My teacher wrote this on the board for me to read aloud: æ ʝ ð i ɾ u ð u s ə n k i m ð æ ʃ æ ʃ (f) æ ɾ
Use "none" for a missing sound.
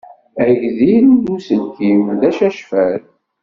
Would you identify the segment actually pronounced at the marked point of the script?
f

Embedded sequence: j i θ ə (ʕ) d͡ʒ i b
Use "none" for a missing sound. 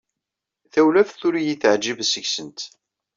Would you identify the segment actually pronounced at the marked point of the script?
ʕ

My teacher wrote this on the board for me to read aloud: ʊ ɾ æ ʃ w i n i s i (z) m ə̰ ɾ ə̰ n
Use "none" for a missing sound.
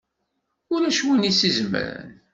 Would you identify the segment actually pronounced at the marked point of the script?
z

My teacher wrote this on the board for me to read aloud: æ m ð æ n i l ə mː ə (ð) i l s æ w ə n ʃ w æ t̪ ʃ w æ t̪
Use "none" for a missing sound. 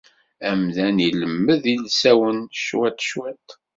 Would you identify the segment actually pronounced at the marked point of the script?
ð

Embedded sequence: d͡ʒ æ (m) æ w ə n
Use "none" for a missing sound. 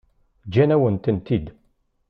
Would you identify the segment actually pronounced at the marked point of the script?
n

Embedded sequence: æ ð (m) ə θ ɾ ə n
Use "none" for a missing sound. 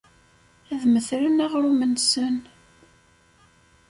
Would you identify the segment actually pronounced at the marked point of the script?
m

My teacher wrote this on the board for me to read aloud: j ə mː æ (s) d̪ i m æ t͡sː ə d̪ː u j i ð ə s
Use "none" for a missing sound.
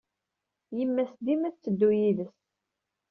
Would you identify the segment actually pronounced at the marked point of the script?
s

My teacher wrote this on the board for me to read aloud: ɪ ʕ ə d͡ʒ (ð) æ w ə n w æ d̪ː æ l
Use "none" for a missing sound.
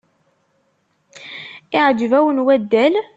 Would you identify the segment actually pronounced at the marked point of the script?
v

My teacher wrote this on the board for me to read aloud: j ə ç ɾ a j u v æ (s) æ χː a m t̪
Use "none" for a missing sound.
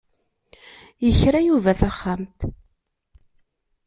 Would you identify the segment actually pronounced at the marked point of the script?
θ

